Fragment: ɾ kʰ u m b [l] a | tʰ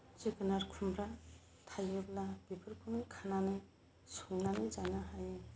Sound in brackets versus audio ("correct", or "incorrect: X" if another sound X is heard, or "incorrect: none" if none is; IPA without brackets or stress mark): incorrect: ɾ